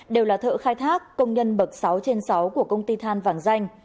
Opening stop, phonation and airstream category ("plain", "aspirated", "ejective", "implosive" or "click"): implosive